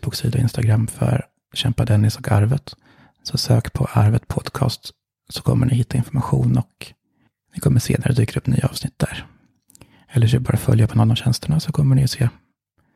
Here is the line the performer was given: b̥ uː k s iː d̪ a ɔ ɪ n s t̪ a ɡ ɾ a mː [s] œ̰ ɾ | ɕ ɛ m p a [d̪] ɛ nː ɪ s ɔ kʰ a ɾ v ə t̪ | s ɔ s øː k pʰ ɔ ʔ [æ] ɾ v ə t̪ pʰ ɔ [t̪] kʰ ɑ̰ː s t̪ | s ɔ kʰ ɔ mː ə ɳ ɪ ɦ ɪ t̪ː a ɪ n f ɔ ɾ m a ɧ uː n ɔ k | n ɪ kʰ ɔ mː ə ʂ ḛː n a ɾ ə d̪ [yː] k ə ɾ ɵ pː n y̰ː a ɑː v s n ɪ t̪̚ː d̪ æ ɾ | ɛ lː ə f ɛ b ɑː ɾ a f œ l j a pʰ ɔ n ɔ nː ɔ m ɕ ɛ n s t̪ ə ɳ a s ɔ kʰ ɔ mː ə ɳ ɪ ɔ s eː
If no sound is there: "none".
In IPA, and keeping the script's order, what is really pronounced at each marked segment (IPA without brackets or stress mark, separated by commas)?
f, d̪, a, d̪, yː